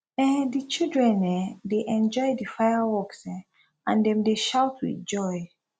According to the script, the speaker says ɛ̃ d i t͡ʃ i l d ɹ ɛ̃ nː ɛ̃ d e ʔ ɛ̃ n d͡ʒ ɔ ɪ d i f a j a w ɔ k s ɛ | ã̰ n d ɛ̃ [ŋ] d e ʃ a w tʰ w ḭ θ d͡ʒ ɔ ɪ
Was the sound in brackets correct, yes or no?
no